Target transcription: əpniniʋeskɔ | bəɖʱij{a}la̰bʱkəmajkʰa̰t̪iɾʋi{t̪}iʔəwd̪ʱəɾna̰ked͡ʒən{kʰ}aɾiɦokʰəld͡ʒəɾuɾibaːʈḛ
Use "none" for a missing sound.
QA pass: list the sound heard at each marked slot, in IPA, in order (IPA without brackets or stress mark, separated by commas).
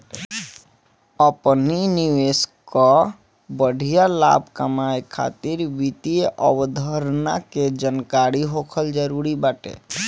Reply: a, t̪, k